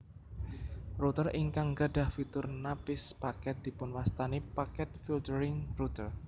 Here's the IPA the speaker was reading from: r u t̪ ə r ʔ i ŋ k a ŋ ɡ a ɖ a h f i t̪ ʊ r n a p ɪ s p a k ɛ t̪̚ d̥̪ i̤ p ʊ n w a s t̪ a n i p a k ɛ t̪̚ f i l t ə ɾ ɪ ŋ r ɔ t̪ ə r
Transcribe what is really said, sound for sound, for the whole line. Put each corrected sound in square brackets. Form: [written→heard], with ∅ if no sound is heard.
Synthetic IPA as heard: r u t̪ ə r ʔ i ŋ k a ŋ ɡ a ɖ a h f i t̪ ʊ r n a p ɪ s p a k ɛ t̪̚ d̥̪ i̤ p ʊ n w a s t̪ a n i p a k ɛ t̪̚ f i l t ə ɾ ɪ ŋ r [ɔ→u] t̪ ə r